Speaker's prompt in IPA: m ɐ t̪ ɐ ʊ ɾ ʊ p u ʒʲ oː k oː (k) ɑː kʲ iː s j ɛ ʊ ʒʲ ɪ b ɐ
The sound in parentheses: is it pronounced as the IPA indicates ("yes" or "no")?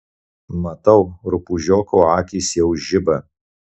no